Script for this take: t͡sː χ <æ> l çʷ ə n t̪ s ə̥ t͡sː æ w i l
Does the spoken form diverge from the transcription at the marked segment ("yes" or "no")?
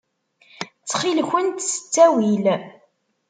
yes